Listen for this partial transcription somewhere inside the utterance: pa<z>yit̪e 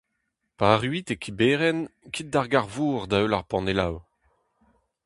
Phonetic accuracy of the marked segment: incorrect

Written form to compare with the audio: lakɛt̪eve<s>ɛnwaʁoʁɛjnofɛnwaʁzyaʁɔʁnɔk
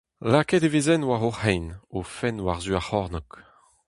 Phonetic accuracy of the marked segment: incorrect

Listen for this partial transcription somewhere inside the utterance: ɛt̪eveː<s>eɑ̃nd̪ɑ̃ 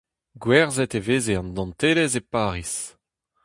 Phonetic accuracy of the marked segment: incorrect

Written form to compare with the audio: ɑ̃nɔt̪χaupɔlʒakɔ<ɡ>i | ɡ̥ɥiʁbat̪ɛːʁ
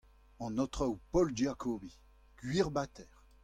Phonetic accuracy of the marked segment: incorrect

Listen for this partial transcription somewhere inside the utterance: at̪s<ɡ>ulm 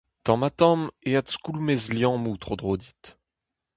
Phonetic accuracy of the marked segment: incorrect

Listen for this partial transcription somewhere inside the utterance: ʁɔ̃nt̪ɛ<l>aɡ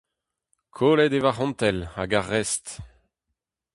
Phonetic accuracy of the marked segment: correct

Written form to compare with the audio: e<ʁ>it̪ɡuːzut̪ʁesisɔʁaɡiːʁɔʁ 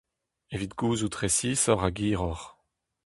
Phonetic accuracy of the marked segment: incorrect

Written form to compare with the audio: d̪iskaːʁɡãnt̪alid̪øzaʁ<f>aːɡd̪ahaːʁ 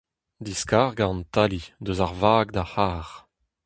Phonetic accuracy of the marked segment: incorrect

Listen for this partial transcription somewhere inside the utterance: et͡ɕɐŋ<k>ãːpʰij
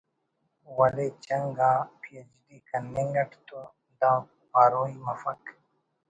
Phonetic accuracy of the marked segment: incorrect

